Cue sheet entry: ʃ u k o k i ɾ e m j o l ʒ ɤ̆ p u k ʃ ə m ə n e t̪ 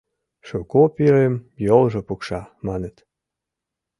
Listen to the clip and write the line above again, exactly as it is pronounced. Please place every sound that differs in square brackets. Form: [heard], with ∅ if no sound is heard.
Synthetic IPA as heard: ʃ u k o [p] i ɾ e m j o l ʒ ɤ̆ p u k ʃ [ɑ] m [ɑ] n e t̪